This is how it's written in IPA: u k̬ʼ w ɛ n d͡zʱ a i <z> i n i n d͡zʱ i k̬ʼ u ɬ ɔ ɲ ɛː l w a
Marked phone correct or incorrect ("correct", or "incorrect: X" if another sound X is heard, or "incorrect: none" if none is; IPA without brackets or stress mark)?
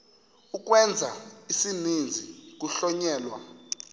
incorrect: s